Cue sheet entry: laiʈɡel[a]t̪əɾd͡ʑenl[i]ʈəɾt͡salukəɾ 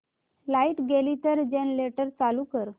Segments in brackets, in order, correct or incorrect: incorrect, incorrect

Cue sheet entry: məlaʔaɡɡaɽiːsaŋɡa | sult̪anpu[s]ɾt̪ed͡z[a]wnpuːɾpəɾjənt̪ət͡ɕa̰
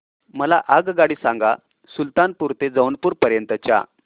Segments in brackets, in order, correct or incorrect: incorrect, incorrect

